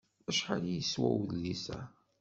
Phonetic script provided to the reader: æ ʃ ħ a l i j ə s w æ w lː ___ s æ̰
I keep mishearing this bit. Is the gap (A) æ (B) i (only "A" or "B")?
B